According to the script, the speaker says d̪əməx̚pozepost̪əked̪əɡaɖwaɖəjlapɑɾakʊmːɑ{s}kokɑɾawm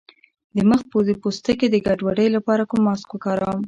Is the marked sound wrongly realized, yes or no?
no